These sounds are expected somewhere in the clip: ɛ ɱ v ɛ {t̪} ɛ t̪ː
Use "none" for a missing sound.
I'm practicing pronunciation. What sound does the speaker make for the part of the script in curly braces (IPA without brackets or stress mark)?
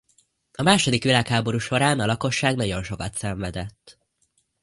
d̪